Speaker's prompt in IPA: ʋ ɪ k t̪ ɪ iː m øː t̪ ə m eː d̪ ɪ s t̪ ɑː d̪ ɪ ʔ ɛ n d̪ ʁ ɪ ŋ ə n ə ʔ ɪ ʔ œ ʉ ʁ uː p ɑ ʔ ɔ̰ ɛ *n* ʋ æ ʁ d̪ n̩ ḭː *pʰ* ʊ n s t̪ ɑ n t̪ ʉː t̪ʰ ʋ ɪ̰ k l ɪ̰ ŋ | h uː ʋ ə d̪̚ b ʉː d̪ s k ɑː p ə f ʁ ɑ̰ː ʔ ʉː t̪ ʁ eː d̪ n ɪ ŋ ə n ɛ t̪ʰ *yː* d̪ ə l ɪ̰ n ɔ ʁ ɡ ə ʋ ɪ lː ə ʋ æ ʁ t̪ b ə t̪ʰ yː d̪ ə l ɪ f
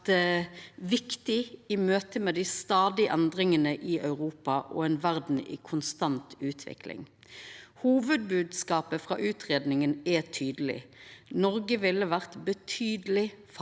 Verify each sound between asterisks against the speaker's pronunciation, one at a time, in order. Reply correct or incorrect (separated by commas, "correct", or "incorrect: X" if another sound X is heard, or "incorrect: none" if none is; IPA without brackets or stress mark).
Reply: correct, incorrect: kʰ, correct